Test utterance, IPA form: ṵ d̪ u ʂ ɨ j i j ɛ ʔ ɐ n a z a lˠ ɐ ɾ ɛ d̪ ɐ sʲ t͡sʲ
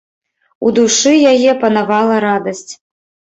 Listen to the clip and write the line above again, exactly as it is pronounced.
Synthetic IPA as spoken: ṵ d̪ u ʂ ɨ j a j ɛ p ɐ n a v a lˠ ɐ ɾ a d̪ ɐ sʲ t͡sʲ

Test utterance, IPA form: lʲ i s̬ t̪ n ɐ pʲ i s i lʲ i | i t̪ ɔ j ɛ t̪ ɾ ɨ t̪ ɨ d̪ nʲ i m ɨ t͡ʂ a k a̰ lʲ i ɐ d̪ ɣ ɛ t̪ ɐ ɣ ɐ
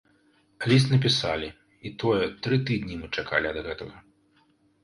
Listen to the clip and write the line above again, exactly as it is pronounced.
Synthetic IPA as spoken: lʲ i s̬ t̪ n ɐ pʲ i s a lʲ i | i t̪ ɔ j ɛ t̪ ɾ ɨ t̪ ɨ d̪ nʲ i m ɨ t͡ʂ a k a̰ lʲ i ɐ d̪ ɣ ɛ t̪ ɐ ɣ ɐ

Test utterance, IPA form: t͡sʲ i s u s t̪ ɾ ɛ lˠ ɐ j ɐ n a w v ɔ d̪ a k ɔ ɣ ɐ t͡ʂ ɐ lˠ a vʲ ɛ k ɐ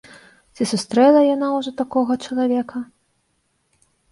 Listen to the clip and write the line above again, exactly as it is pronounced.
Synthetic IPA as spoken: t͡sʲ i s u s t̪ ɾ ɛ lˠ ɐ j a n a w ʐ ɔ t̪ a k ɔ ɣ ɐ t͡ʂ ɐ lˠ a vʲ ɛ k ɐ

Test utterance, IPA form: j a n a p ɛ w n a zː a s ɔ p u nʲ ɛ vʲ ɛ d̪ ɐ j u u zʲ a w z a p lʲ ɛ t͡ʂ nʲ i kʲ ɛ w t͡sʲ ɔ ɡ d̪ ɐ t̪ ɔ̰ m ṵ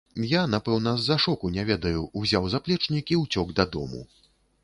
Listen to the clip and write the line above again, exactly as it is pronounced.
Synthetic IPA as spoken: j a n a p ɛ w n ɐ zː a ʂ ɔ k u nʲ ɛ vʲ ɛ d̪ ɐ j u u zʲ a w z a p lʲ ɛ t͡ʂ nʲ i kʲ i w t͡sʲ ɔ ɡ d̪ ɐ d̪ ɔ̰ m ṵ

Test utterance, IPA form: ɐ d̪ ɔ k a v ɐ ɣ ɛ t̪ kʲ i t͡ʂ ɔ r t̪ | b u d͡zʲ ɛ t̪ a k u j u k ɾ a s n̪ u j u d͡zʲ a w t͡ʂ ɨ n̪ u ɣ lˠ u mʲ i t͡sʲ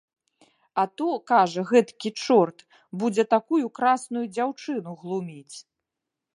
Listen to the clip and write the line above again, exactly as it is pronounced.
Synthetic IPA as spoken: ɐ t̪ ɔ k a ʐ ɐ ɣ ɛ t̪ kʲ i t͡ʂ ɔ r t̪ | b u d͡zʲ ɛ t̪ a k u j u k ɾ a s n̪ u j u d͡zʲ a w t͡ʂ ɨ n̪ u ɣ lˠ u mʲ i t͡sʲ

